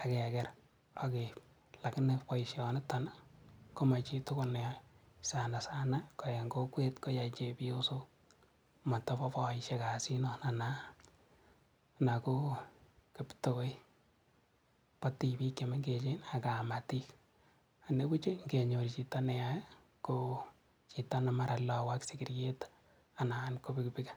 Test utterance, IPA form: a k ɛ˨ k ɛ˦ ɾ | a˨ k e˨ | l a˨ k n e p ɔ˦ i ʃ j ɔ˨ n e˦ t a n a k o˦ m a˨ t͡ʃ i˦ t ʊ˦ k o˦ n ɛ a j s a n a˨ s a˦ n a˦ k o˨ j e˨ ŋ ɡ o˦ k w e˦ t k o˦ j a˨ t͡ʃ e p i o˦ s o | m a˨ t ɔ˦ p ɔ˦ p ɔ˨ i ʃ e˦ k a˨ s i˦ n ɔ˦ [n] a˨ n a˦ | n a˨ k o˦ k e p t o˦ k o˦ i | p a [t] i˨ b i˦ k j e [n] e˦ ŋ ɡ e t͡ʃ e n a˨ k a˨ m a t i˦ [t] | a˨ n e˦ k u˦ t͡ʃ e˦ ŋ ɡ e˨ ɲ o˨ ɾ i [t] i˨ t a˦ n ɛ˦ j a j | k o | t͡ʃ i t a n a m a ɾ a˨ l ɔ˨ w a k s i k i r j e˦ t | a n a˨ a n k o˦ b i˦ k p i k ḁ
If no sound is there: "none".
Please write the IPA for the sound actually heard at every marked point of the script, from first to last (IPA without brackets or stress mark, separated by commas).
n, t, m, k, t͡ʃ